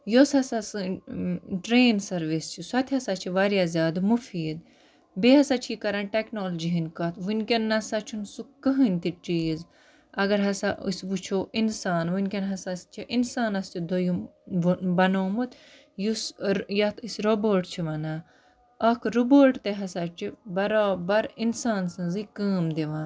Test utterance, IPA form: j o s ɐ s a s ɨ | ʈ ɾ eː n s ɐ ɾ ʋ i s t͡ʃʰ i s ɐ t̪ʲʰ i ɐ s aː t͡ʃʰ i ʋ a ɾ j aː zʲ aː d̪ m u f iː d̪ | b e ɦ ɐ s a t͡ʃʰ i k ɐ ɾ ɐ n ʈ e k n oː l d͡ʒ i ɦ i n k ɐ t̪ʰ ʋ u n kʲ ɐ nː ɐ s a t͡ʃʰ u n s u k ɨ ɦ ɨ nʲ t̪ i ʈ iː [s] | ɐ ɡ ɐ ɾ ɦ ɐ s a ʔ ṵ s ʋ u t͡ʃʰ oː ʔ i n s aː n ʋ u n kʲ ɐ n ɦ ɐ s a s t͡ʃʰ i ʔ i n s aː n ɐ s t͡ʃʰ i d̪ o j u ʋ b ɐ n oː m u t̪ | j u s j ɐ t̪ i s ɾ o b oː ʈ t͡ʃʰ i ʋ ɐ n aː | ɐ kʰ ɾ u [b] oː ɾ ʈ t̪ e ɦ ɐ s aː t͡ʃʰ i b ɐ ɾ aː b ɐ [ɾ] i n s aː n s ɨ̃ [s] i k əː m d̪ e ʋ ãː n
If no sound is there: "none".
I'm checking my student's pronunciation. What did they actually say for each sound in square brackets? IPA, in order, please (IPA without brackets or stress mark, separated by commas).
z, b, ɾ, z